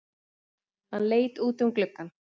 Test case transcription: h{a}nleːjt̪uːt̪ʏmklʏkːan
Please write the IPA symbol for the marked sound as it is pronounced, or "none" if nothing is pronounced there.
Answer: a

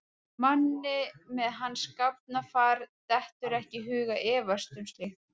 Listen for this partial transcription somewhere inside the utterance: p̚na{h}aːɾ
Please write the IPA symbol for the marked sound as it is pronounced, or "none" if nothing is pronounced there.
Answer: f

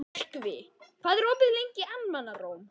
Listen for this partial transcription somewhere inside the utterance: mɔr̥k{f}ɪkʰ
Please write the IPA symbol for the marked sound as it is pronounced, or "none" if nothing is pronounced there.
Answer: v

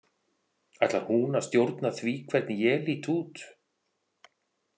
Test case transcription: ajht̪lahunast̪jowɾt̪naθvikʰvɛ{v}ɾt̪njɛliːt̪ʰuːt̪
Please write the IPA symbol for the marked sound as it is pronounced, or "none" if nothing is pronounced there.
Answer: none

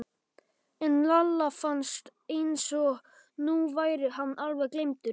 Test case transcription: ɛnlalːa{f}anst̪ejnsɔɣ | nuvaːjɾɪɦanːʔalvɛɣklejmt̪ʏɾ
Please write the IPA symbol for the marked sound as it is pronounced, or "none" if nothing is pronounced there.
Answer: f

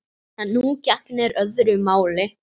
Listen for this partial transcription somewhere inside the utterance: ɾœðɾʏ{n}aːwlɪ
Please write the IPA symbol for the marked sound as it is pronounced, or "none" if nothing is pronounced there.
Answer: m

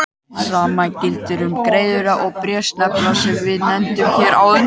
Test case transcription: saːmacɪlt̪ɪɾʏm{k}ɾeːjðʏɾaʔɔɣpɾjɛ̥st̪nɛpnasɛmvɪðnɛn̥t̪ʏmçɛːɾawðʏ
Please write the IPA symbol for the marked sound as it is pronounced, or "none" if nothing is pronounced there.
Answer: k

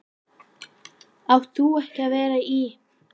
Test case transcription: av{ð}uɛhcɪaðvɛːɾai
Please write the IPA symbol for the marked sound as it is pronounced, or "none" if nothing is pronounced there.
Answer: θ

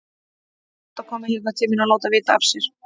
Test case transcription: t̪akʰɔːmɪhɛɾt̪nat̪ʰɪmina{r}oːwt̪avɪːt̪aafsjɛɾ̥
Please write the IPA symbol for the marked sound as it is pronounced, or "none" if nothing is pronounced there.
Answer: l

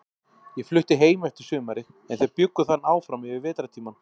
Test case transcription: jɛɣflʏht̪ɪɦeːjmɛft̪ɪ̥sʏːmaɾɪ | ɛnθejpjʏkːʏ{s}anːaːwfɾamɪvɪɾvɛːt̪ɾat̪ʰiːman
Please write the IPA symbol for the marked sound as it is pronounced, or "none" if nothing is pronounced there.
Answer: θ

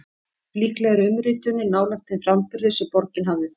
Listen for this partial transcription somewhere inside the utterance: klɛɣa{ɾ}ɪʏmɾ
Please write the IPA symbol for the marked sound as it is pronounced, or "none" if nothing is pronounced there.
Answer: ɾ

